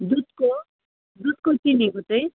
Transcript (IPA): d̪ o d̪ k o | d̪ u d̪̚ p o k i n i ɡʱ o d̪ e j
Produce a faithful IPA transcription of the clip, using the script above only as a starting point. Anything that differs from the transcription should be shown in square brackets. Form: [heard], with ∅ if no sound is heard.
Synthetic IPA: d̪ [u] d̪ k o | d̪ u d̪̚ [k] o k i n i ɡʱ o [t̪] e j